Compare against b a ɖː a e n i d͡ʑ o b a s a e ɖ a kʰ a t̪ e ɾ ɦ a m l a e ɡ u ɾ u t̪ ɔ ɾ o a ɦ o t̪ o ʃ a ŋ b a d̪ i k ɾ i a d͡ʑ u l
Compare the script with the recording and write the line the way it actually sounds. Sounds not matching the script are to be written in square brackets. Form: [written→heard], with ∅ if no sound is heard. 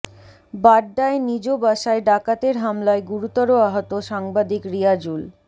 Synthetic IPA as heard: b a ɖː a e n i d͡ʑ o b a [s→ʃ] a e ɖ a [kʰ→k] a t̪ e ɾ ɦ a m l a e ɡ u ɾ u t̪ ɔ ɾ o a ɦ o t̪ o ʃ a ŋ b a d̪ i k ɾ i a d͡ʑ u l